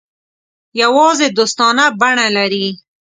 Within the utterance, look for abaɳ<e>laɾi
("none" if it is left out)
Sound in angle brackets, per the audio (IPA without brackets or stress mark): a